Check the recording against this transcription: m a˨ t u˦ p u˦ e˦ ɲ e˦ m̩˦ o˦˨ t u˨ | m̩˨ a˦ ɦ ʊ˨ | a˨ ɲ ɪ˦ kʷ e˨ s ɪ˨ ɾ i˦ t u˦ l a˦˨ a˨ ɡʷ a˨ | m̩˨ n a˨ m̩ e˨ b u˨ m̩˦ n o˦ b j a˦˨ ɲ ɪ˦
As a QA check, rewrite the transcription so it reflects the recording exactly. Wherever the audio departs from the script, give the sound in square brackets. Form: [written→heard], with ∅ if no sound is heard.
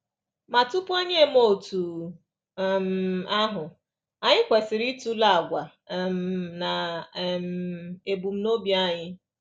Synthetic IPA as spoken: m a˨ t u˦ p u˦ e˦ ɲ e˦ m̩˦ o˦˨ t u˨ | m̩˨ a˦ ɦ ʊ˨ | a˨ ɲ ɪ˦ kʷ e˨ s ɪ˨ ɾ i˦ t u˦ l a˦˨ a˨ ɡʷ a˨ | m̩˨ n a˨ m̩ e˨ b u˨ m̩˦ n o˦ b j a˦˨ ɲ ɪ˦